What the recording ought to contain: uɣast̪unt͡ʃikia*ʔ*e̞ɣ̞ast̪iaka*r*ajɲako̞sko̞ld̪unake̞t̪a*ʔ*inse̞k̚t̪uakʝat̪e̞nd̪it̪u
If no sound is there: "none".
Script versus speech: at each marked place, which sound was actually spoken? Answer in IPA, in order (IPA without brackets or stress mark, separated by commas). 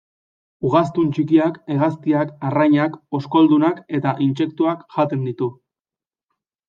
k, r, ʔ